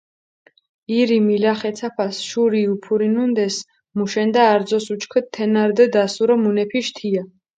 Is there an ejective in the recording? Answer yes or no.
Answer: no